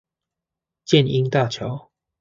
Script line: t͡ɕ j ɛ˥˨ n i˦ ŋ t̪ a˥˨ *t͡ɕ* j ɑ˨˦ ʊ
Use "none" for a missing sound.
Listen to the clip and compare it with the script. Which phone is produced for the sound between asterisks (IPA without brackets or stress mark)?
t͡ɕʰ